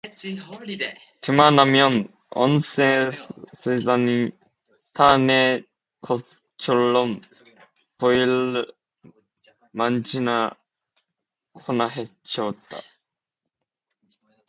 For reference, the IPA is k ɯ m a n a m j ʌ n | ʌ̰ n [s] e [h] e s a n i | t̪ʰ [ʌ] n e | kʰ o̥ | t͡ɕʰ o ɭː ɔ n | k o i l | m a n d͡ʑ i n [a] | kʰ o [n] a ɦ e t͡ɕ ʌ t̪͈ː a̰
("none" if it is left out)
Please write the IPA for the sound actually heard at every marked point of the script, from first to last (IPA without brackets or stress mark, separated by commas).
s, s, a, a, n